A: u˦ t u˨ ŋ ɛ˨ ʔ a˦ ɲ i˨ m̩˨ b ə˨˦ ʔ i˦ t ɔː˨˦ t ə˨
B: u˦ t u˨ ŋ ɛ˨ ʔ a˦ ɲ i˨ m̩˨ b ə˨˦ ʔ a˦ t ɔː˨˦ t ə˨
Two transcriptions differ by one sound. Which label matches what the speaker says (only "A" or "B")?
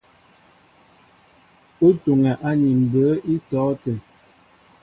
A